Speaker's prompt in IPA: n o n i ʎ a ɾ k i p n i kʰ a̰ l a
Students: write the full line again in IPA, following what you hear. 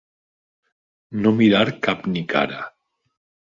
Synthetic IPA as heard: n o m i ɾ a ɾ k a p n i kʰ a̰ ɾ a